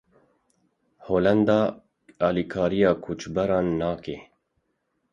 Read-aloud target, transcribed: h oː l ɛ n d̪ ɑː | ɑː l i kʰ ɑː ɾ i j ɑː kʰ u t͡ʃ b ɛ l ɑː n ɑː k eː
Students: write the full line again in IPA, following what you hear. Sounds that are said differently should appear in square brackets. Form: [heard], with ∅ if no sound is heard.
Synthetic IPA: h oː l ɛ n d̪ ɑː | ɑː l i kʰ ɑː ɾ i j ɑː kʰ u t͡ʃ b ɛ [ɾ] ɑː [nː] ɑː k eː